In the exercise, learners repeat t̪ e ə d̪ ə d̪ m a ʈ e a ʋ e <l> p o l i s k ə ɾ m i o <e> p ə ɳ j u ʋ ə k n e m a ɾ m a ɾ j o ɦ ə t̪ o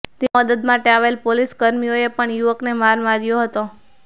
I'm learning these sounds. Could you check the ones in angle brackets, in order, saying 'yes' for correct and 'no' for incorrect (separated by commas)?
yes, yes